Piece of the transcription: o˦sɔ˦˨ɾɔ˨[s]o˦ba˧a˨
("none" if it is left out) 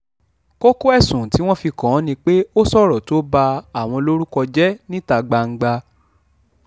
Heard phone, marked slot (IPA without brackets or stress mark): t